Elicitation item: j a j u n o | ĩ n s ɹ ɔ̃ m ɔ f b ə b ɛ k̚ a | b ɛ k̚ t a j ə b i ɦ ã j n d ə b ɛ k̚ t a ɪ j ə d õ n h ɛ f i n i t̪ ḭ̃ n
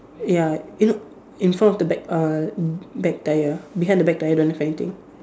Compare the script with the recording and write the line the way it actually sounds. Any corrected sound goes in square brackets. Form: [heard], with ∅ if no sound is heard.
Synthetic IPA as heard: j a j u n o | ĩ n [f] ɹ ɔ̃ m ɔ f [d] ə b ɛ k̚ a | b ɛ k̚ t a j ə b i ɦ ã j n d ə b ɛ k̚ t a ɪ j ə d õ n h ɛ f [ɛ] n i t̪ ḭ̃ [ŋ]